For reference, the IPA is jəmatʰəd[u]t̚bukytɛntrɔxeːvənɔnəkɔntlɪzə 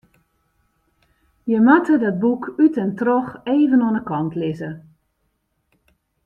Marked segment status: incorrect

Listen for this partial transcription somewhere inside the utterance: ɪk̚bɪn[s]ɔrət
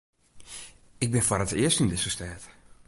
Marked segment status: incorrect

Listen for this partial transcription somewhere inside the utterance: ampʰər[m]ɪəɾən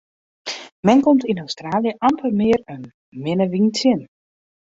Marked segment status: correct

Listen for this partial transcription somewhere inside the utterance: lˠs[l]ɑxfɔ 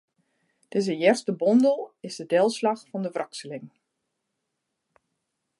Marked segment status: correct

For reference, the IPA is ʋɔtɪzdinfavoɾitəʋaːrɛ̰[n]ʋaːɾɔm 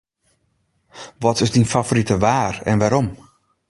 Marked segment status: correct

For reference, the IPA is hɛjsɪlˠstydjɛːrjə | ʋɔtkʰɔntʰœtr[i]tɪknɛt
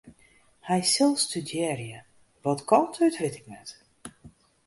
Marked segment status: incorrect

